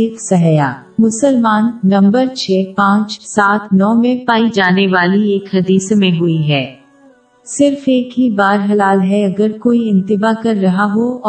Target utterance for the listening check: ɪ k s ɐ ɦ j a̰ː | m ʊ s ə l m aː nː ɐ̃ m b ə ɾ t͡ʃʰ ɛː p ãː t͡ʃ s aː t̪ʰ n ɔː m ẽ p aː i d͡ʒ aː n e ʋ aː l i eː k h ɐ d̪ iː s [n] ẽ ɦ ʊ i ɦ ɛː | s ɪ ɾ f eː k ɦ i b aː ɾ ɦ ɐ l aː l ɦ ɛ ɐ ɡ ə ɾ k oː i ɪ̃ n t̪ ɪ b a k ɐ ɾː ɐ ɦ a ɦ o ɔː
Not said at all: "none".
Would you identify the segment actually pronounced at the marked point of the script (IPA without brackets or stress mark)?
m